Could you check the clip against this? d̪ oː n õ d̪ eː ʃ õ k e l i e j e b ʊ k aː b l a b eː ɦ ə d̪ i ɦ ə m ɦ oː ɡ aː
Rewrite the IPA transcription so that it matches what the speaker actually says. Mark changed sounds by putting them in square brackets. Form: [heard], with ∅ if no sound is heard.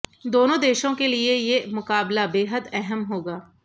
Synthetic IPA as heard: d̪ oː n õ d̪ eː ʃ õ k e l i e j e [m] ʊ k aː b l a b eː ɦ ə d̪ [ɛ] ɦ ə m ɦ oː ɡ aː